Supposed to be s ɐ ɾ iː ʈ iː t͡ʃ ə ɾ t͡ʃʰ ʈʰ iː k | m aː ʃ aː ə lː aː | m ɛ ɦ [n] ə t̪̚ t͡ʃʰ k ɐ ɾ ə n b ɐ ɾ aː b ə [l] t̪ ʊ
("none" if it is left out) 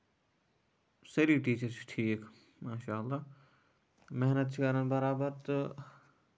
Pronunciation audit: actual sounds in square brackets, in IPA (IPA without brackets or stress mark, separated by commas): n, ɾ